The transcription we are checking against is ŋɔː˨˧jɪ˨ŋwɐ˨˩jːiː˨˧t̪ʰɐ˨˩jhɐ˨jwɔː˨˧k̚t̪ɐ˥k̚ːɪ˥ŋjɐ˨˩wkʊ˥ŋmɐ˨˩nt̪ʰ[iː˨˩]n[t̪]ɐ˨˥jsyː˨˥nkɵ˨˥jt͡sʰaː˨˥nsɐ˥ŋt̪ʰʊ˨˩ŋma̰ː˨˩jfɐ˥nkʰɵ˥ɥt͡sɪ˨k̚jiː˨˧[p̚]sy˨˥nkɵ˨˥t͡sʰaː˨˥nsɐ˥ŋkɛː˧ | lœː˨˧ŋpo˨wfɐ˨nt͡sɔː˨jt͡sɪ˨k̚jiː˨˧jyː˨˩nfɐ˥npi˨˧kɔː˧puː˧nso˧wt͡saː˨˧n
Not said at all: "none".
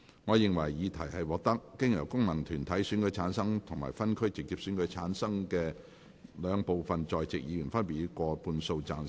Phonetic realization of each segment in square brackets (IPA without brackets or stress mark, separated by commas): yː˨˩, t̪ʰ, p̚